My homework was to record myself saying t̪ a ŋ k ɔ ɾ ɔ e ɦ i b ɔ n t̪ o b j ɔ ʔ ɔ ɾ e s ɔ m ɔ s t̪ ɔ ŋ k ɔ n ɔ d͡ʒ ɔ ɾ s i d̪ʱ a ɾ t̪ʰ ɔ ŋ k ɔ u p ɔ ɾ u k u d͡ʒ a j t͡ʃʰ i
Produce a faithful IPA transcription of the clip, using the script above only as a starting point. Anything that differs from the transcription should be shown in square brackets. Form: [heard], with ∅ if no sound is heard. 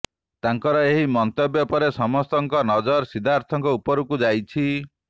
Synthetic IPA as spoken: t̪ a ŋ k ɔ ɾ ɔ e ɦ i [m] ɔ n t̪ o b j ɔ [p] ɔ ɾ e s ɔ m ɔ s t̪ ɔ ŋ k ɔ n ɔ d͡ʒ ɔ ɾ s i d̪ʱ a ɾ t̪ʰ ɔ ŋ k ɔ u p ɔ ɾ u k u d͡ʒ a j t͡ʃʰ i